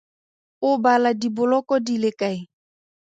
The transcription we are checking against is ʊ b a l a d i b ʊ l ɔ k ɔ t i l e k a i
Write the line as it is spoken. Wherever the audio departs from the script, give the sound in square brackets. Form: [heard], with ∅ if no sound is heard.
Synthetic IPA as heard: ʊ b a l a d i b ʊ l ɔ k ɔ [d] i l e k a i